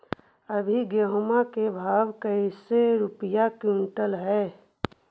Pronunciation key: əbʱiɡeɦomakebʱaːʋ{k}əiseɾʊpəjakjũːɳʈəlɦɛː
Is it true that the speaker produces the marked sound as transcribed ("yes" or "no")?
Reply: yes